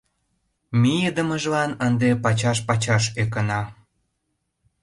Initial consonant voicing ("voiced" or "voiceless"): voiced